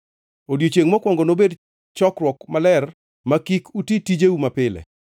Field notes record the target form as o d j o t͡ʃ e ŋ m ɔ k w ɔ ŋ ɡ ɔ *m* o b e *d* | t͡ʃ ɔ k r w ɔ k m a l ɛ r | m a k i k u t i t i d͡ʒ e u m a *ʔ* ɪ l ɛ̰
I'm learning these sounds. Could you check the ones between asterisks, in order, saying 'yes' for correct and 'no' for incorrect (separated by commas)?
no, yes, no